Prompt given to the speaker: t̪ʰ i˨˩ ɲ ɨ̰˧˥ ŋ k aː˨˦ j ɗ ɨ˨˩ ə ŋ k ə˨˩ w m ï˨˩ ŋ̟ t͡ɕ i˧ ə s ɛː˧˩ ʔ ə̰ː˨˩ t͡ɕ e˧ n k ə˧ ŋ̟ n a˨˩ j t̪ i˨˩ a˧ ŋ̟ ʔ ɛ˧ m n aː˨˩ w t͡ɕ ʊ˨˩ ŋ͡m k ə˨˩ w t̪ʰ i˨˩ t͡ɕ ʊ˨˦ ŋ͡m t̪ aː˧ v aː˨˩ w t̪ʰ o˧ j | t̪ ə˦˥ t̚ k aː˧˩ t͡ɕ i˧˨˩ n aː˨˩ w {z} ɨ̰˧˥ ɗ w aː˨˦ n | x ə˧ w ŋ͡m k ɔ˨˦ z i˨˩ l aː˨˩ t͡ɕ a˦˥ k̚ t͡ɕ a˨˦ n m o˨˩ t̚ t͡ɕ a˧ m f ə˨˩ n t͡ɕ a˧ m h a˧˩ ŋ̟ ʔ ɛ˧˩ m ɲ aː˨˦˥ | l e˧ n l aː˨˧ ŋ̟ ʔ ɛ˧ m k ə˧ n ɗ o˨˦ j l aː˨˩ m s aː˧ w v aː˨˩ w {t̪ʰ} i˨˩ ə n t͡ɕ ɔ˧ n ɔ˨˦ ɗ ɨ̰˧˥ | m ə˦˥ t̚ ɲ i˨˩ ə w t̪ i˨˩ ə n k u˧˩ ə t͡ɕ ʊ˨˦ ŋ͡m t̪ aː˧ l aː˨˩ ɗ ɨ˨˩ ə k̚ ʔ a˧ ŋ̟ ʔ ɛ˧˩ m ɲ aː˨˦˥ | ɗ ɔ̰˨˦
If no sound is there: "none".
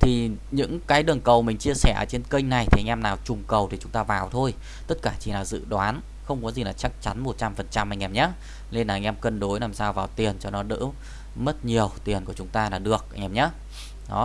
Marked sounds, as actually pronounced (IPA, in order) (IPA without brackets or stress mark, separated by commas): z, t̪